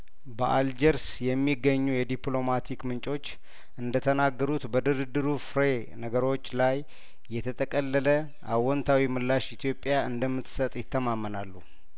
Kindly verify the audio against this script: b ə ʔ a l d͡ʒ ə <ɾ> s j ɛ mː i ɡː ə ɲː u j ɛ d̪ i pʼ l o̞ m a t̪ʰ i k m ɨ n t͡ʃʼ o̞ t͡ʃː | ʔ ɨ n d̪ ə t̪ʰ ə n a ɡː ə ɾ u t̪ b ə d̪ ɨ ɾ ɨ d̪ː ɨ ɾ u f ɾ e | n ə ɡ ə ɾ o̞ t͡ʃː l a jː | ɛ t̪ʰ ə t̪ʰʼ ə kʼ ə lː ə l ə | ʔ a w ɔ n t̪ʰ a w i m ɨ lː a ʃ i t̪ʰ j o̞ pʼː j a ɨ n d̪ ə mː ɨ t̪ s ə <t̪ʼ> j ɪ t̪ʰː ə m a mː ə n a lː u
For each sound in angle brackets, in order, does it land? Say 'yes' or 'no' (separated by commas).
yes, yes